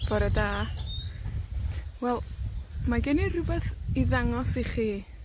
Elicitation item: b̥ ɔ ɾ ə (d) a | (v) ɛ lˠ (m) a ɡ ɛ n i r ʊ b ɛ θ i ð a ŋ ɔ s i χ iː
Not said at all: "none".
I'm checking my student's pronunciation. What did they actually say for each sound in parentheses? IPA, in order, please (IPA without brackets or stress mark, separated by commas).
d, w, m